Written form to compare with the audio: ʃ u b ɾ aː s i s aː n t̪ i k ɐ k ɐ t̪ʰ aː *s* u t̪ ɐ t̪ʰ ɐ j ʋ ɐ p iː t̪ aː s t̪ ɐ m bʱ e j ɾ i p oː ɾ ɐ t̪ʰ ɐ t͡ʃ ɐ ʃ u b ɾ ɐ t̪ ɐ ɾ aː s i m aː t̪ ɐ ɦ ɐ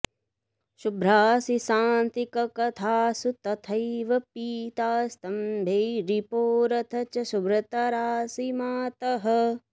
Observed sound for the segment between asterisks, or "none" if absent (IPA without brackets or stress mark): s